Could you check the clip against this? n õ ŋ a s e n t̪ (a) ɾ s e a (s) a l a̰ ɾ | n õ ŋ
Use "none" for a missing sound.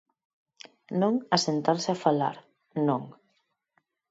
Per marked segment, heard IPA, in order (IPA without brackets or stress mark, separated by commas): a, f